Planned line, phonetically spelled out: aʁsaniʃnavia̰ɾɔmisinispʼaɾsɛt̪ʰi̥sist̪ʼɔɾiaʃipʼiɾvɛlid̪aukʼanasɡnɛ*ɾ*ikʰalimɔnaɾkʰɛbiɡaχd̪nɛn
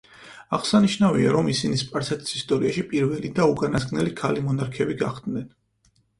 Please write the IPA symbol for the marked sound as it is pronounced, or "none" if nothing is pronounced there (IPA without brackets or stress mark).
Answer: l